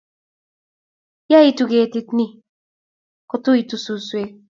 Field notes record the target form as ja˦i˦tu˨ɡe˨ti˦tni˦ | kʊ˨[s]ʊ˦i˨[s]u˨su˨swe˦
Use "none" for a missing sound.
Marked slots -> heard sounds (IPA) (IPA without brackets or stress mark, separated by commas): t, t